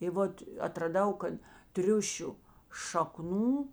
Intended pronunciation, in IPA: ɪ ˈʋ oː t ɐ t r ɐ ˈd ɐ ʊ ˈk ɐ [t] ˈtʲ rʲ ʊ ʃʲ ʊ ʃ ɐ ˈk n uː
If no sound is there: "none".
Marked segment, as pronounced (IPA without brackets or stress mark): t